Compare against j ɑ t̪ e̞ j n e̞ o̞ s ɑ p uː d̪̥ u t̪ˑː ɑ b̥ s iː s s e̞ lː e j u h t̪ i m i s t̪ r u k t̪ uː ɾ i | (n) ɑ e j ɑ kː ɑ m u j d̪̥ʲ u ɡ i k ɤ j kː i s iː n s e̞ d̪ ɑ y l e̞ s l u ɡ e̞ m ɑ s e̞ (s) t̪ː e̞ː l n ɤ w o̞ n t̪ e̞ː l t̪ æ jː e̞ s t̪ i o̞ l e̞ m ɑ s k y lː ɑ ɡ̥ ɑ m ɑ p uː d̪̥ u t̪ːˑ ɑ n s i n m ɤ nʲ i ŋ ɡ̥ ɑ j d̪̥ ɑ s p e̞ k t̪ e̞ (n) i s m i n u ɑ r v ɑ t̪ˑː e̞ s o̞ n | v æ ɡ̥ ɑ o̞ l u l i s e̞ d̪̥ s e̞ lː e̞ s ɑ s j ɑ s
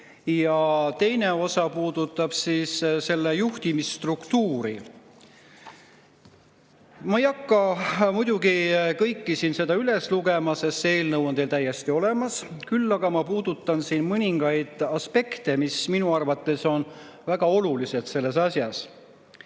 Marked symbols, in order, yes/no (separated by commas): no, yes, no